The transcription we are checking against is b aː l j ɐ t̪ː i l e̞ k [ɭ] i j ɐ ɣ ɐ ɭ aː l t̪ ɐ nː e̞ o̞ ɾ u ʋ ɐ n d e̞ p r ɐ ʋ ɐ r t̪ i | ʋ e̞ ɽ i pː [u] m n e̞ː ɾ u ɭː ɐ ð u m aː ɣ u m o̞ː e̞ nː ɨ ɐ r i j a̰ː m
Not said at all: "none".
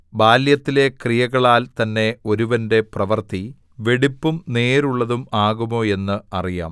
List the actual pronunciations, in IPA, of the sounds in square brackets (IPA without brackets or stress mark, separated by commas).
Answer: r, u